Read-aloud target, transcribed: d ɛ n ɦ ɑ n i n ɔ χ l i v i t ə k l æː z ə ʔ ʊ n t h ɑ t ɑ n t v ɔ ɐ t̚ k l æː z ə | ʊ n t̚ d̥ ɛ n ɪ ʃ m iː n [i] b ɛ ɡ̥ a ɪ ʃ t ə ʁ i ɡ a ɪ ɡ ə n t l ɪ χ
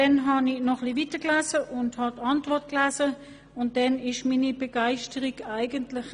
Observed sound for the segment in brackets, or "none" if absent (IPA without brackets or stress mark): i